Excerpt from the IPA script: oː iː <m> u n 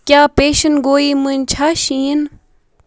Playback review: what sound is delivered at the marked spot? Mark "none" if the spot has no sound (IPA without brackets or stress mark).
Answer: m